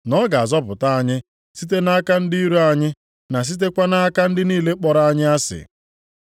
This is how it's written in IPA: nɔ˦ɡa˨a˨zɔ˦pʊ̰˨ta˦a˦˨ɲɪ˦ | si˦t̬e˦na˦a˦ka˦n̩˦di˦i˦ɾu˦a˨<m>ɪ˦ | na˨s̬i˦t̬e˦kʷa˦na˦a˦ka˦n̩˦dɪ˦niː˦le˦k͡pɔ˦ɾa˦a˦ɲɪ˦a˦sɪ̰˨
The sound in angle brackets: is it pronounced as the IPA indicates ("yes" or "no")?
no